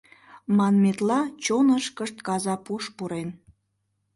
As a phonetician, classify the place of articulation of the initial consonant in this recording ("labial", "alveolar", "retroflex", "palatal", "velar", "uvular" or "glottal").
labial